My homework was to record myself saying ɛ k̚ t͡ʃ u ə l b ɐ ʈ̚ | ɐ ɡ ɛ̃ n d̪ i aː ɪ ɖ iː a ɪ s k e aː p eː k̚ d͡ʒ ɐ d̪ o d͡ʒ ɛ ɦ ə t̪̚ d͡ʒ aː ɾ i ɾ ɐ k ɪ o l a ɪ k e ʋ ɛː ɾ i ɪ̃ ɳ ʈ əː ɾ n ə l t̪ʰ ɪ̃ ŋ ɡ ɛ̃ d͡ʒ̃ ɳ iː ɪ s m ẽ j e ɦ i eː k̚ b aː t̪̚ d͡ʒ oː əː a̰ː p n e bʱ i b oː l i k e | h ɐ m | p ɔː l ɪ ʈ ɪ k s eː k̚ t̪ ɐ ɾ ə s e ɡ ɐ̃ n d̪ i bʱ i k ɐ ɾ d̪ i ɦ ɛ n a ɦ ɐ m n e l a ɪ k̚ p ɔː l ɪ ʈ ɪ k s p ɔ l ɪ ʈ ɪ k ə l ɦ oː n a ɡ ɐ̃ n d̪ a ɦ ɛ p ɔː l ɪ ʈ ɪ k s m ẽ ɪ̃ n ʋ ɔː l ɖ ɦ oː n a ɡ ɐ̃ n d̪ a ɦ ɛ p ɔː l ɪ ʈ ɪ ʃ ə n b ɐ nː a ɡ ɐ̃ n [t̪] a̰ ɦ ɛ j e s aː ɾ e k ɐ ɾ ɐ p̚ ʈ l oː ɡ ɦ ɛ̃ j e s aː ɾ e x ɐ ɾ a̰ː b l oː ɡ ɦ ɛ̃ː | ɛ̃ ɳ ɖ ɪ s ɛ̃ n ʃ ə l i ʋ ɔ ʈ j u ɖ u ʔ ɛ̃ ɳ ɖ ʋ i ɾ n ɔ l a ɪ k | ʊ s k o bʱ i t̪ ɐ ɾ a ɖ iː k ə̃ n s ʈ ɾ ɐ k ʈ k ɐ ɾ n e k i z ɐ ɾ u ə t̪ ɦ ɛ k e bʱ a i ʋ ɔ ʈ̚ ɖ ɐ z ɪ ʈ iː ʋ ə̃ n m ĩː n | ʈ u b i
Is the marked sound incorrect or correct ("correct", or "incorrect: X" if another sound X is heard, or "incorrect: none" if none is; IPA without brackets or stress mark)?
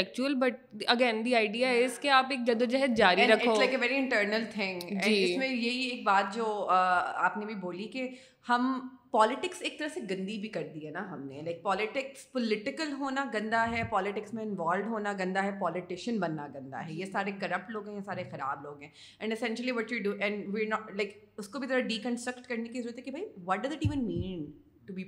incorrect: d̪